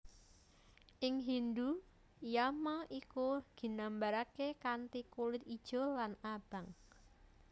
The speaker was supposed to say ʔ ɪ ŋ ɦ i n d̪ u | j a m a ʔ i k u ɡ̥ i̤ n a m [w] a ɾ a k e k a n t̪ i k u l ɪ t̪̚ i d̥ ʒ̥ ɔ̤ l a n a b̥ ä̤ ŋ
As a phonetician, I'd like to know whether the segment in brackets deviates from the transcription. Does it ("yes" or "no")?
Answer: yes